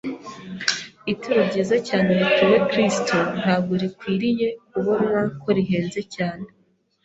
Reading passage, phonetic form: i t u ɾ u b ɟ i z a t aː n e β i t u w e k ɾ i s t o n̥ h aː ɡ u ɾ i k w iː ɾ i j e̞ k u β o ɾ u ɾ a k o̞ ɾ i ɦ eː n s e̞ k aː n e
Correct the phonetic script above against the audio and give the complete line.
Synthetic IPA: i t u ɾ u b ɟ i z a c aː n e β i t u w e k ɾ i s t o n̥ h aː ɡ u ɾ i k w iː ɾ i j e̞ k u β o ɾ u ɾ a k o̞ ɾ i ɦ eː n z e̞ c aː n e